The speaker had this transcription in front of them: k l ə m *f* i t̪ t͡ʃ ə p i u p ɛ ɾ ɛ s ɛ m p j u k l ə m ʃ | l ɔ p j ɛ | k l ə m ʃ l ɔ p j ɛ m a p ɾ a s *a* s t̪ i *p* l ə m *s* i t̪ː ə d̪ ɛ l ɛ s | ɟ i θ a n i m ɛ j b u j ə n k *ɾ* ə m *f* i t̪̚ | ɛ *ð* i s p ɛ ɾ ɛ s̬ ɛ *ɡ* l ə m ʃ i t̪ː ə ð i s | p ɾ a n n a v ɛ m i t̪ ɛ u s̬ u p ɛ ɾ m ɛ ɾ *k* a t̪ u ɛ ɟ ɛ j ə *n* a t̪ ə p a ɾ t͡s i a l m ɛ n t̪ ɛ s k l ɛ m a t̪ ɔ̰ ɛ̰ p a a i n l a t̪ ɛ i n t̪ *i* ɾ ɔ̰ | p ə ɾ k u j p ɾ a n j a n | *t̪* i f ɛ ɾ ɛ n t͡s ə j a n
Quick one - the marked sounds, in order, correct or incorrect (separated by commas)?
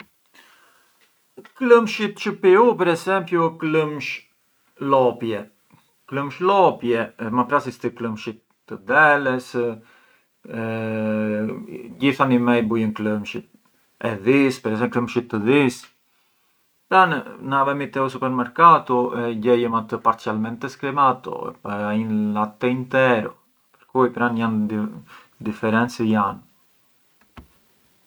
incorrect, incorrect, incorrect, incorrect, incorrect, incorrect, correct, incorrect, correct, incorrect, incorrect, incorrect